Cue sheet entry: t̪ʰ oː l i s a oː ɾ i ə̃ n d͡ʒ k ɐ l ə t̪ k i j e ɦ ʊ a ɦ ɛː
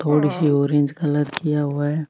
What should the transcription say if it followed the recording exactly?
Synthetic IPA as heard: t̪ʰ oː ɽ i s i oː ɾ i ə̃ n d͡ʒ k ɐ l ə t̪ k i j a ɦ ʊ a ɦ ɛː